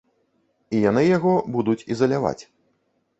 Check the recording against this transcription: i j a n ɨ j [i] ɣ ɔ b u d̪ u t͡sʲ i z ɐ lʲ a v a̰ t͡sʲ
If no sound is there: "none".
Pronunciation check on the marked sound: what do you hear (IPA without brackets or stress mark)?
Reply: a